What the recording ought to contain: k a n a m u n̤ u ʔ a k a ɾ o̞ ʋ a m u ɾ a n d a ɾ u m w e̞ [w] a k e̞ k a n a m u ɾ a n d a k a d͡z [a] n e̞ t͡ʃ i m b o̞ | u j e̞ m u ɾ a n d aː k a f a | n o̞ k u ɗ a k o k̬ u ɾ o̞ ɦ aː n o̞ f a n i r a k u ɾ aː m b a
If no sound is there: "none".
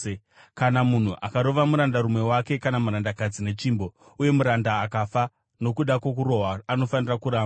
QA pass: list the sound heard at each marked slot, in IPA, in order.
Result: w, i

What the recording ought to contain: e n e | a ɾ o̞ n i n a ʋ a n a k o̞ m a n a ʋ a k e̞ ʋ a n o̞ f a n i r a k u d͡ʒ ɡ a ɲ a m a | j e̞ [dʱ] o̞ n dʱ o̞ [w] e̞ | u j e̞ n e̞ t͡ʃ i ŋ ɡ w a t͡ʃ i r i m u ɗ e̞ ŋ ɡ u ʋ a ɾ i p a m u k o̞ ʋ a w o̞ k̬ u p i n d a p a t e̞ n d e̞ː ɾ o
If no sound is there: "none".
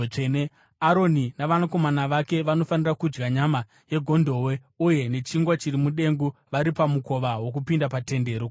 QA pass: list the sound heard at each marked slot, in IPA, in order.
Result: ɡʱ, w

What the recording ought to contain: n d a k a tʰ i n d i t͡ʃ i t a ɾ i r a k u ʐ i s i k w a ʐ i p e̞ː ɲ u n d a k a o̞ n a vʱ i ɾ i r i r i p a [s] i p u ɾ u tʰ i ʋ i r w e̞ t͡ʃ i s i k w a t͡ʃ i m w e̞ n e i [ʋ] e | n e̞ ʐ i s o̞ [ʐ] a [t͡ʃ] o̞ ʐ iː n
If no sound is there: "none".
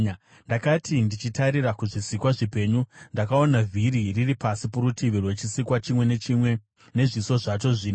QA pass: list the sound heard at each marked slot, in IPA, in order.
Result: s, w, ʐ, t͡ʃ

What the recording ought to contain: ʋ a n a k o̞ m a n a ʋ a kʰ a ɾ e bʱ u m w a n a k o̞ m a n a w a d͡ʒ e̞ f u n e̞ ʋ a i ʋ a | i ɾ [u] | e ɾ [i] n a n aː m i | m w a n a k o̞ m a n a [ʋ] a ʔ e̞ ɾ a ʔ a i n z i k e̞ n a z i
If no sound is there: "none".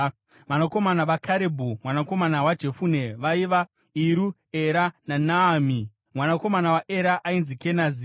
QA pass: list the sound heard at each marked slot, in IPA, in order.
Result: u, a, w

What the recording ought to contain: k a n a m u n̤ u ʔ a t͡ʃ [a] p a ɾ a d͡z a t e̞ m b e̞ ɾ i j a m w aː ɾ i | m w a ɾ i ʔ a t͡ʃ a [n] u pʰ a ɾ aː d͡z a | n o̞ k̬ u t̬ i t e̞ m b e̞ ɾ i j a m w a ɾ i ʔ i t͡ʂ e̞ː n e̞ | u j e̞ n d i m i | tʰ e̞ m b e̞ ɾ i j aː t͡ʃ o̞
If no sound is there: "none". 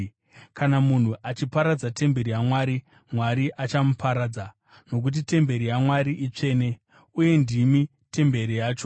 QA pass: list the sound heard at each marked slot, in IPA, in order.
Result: i, m

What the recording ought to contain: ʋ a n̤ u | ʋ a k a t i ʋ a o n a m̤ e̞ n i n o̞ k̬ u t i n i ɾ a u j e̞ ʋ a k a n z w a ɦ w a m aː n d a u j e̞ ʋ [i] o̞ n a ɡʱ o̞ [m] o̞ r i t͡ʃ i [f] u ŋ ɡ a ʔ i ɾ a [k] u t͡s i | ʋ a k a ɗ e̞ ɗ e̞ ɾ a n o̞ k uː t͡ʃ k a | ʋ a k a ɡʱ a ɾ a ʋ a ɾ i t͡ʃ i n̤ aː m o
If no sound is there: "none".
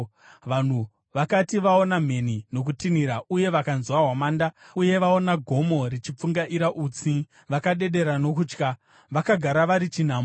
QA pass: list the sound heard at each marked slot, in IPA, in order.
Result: a, m, p͡f, ʔ

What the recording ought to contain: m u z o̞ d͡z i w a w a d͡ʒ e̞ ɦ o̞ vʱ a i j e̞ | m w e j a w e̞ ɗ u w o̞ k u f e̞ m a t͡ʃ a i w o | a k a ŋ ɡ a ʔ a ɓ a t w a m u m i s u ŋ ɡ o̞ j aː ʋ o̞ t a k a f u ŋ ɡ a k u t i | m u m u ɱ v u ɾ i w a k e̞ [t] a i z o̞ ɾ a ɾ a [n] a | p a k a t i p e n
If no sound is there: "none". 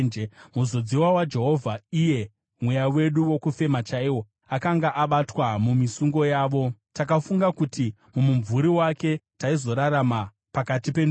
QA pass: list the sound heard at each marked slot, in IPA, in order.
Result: t, m

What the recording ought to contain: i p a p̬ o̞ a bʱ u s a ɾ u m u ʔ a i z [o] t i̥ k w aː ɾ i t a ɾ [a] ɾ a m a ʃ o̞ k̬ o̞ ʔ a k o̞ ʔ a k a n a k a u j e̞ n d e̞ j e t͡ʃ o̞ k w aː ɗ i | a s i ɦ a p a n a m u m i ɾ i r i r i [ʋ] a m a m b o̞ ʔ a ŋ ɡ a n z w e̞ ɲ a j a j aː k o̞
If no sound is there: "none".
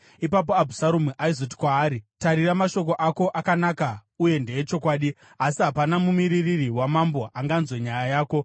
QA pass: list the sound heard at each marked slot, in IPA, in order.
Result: o, i, w

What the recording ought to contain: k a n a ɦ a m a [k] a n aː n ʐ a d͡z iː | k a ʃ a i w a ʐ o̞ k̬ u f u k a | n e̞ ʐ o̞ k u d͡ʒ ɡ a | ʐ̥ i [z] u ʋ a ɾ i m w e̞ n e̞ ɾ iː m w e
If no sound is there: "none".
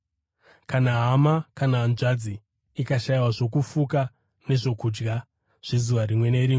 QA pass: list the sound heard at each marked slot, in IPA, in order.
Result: k, z

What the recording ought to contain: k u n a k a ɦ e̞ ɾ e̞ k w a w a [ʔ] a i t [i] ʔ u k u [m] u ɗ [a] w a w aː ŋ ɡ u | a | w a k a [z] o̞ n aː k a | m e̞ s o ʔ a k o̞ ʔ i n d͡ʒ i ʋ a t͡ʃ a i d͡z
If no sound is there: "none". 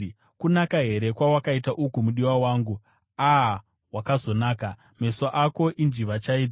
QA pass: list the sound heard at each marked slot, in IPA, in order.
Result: k, a, m, i, z

